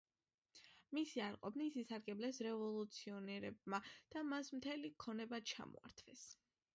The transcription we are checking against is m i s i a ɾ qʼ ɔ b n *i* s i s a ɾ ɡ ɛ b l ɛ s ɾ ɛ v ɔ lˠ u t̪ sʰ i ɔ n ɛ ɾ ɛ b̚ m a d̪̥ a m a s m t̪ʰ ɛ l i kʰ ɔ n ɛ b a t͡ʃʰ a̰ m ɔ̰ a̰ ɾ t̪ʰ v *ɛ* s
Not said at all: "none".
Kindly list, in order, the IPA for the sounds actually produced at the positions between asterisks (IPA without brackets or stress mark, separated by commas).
i, ɛ